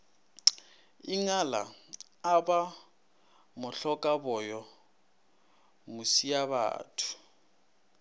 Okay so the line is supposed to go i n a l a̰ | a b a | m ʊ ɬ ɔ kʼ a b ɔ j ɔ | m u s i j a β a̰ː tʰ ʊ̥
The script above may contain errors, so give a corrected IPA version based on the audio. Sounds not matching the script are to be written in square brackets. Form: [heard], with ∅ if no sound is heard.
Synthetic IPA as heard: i [ŋ] a l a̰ | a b a | m ʊ ɬ ɔ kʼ a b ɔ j ɔ | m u s i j a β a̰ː tʰ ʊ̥